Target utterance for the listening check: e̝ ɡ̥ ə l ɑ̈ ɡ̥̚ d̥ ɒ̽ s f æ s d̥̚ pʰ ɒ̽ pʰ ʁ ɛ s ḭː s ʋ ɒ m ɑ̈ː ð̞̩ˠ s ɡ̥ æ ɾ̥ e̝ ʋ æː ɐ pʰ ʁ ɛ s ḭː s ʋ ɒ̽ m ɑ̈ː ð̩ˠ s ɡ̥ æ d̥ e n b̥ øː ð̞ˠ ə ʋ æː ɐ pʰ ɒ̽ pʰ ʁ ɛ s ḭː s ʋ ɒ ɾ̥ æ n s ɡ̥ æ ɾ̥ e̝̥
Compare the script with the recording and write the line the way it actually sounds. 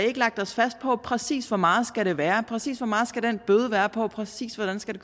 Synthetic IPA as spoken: e̝ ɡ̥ ə l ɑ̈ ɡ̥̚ d̥ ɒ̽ s f æ s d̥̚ pʰ ɒ̽ pʰ ʁ ɛ s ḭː s ʋ ɒ m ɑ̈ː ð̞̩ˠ s ɡ̥ æ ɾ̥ e̝ ʋ æː ɐ pʰ ʁ ɛ s ḭː s ʋ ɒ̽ m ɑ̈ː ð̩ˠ s ɡ̥ æ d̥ e n b̥ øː ð̞ˠ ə ʋ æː ɐ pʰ ɒ̽ pʰ ʁ ɛ s ḭː s ʋ ɒ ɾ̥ æ n s ɡ̥ æ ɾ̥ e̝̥